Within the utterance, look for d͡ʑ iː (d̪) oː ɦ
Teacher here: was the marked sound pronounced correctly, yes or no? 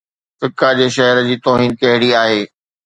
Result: no